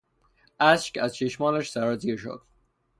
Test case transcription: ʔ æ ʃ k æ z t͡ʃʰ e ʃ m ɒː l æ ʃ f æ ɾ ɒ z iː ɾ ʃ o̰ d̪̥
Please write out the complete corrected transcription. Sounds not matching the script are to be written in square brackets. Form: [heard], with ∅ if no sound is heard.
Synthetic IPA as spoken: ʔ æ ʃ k æ z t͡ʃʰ e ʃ m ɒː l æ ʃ [s] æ ɾ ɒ z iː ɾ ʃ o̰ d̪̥

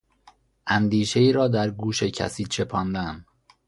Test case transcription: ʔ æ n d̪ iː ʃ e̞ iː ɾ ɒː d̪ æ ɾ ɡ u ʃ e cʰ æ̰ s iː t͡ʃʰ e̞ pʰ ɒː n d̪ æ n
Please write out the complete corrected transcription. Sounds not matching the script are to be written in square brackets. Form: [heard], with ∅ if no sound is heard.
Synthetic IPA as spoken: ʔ æ n d̪ iː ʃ e̞ iː ɾ ɒː d̪ æ ɾ ɡ [uː] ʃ e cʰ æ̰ s iː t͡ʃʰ e̞ pʰ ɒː n d̪ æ n

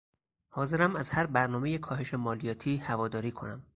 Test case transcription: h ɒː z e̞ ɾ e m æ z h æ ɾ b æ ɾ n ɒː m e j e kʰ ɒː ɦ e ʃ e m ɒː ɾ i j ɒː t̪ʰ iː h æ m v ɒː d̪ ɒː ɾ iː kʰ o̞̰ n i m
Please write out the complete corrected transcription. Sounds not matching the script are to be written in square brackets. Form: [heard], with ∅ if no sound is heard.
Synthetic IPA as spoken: h ɒː z e̞ ɾ [æ] m æ z h æ ɾ b æ ɾ n ɒː m e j e kʰ ɒː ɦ e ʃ e m ɒː [l] i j ɒː t̪ʰ iː h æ [∅] v ɒː d̪ ɒː ɾ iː kʰ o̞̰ n [æ] m

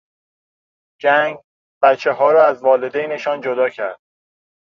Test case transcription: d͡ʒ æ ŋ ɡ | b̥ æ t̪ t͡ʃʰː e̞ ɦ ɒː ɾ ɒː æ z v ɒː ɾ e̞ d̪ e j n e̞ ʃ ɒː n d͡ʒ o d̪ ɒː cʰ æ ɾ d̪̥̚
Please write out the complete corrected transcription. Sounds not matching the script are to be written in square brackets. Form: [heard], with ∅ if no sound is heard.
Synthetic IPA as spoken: d͡ʒ æ ŋ ɡ | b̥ æ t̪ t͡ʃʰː e̞ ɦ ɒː ɾ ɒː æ z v ɒː [l] e̞ d̪ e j n e̞ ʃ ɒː n d͡ʒ o d̪ ɒː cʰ æ ɾ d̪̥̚

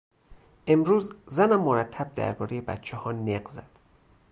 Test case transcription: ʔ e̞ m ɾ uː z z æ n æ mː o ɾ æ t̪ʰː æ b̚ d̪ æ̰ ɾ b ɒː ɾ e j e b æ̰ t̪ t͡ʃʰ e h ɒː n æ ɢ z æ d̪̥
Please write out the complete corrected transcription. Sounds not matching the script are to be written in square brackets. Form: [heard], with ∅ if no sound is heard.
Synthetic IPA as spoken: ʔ e̞ m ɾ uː z z æ n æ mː o ɾ æ t̪ʰː æ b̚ d̪ æ̰ ɾ b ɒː ɾ e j e b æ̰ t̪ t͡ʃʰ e h ɒː n [e] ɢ z æ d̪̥

